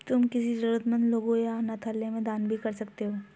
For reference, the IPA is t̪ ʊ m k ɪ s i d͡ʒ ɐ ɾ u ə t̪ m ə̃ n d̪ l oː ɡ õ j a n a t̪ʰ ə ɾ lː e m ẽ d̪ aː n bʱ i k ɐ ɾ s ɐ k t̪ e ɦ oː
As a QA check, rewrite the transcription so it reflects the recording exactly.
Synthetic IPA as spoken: t̪ ʊ m k ɪ s i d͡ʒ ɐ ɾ u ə t̪ m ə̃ n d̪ l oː ɡ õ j a n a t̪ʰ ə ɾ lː e m ẽ d̪ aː n bʱ i k ɐ ɾ s ɐ k t̪ e ɦ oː